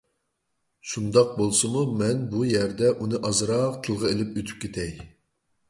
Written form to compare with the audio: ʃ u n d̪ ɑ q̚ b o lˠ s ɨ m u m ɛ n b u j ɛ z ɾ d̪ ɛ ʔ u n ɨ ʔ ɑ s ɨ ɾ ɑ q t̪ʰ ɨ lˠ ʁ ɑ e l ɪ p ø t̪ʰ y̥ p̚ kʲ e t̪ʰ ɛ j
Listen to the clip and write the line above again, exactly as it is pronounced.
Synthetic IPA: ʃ u n d̪ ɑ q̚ b o lˠ s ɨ m u m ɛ n b u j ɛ ɾ d̪ ɛ ʔ u n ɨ ʔ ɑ z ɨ ɾ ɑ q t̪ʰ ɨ lˠ ʁ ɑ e l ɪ p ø t̪ʰ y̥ p̚ kʲ e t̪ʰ ɛ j